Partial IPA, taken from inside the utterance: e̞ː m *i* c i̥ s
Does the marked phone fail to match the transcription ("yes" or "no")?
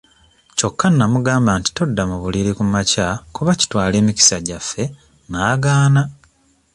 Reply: no